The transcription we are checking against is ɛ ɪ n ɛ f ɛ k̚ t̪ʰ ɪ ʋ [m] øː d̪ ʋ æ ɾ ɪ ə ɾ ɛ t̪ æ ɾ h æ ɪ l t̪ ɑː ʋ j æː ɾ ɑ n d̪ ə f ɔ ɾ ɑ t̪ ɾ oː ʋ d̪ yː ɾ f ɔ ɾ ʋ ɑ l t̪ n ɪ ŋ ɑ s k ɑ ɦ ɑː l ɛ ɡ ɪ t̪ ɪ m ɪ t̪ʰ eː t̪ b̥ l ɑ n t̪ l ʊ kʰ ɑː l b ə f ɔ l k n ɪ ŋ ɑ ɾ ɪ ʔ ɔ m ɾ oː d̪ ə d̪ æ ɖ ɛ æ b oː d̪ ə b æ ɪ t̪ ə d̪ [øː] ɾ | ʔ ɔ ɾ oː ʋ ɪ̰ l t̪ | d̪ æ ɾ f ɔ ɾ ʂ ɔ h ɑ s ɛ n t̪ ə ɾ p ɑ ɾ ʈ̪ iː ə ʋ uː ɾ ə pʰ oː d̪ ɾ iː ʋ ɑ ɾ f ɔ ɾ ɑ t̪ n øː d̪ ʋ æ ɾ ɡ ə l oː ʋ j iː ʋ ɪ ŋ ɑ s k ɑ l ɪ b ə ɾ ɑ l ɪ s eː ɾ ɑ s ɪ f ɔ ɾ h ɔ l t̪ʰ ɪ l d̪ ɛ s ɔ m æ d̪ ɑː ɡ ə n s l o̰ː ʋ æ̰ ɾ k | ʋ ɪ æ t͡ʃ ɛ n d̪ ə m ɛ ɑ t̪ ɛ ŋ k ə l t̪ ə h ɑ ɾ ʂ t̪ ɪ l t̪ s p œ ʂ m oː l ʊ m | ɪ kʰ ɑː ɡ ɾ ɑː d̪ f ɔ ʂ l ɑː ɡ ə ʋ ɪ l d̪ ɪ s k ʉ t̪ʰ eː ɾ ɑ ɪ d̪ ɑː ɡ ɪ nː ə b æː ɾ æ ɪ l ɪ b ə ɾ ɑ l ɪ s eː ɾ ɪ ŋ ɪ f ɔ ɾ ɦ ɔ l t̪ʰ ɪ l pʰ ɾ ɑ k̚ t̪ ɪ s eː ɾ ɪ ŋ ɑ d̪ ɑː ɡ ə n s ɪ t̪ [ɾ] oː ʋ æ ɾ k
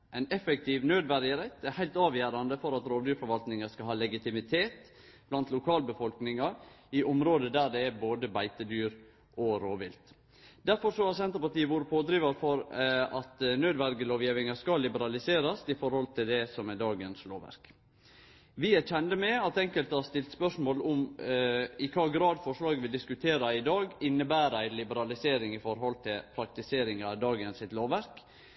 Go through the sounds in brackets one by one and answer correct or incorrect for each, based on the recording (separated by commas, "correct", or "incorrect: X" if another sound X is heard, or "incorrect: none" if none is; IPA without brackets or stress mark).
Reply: incorrect: n, incorrect: yː, incorrect: l